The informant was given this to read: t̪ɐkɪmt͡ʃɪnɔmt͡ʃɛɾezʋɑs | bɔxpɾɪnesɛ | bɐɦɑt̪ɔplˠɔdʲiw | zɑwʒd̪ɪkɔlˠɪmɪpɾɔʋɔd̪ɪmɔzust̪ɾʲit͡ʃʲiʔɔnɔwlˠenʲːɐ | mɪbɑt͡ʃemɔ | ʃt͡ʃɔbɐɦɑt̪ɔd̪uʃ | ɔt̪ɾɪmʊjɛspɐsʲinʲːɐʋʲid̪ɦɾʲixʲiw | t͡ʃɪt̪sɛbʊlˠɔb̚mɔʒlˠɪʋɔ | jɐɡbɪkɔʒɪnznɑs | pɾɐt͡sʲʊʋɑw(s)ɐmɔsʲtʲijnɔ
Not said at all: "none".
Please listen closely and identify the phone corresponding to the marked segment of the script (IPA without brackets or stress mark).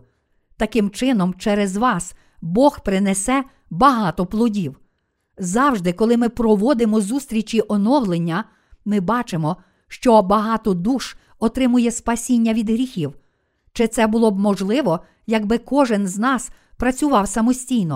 s